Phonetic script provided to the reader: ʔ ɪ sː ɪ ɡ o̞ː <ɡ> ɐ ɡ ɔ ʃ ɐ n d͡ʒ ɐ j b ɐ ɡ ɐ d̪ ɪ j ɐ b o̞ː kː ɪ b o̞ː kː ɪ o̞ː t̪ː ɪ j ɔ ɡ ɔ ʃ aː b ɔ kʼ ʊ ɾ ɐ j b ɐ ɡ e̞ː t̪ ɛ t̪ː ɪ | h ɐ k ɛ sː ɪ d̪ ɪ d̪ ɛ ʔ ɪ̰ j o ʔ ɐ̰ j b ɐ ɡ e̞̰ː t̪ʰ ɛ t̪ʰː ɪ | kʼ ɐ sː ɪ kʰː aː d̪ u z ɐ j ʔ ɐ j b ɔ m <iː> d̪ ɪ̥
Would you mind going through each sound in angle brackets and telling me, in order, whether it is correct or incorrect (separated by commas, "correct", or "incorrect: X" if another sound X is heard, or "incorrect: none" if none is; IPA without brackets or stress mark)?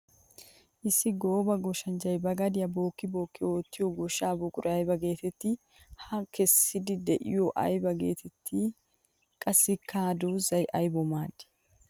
incorrect: b, incorrect: aː